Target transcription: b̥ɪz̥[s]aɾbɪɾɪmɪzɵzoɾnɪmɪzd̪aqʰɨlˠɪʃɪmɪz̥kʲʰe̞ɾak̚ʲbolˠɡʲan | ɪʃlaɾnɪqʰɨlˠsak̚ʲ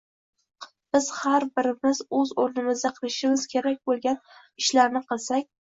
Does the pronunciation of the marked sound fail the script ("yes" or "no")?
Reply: yes